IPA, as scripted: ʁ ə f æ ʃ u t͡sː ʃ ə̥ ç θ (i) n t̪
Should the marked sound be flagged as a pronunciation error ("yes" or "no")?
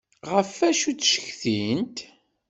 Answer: no